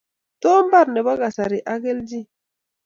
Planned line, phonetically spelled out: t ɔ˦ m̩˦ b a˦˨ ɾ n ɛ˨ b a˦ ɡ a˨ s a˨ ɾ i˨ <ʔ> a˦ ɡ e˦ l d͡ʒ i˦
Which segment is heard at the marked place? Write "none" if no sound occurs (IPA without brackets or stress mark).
ʔ